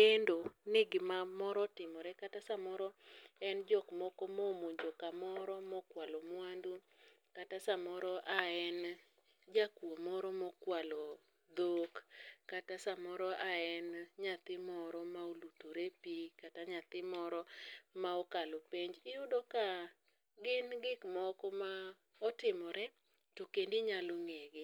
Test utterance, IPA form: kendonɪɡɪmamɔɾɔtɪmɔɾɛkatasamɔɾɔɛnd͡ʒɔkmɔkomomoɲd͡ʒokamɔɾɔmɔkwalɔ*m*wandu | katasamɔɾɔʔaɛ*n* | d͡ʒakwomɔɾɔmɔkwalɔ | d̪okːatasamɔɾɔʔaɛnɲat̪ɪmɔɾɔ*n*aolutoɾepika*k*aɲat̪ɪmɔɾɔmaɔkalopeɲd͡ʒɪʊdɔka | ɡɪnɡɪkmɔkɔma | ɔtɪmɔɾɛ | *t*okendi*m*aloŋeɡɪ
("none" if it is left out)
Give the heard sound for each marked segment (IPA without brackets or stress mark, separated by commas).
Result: m, n, m, t, t, ɲ